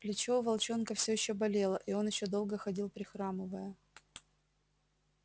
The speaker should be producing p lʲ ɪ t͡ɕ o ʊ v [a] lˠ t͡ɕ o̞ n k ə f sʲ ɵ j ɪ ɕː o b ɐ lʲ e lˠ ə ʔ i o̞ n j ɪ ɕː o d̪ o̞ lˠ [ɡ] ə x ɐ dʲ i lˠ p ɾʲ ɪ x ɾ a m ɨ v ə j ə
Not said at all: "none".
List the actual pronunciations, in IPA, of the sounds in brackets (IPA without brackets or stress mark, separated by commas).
ɐ, ɡ